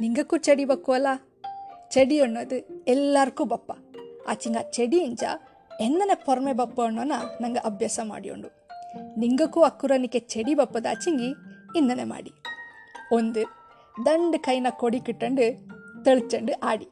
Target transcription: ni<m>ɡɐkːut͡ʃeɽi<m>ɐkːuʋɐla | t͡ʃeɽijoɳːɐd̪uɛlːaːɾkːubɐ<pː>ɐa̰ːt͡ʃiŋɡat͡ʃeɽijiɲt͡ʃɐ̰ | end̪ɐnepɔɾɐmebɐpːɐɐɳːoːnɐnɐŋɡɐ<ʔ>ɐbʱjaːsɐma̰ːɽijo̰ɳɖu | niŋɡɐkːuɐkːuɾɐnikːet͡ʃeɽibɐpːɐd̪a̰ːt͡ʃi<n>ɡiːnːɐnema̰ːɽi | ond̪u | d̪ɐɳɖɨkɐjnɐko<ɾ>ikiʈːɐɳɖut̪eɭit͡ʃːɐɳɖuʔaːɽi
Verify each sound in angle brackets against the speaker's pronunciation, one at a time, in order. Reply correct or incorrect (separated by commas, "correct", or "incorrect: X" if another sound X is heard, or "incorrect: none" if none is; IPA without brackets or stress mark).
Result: incorrect: ŋ, incorrect: b, correct, correct, incorrect: ŋ, incorrect: ɽ